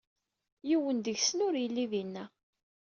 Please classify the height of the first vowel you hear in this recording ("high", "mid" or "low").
high